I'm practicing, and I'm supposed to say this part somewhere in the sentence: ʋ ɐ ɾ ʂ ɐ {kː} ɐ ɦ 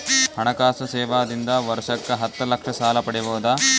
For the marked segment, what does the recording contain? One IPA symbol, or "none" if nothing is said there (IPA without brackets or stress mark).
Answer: kː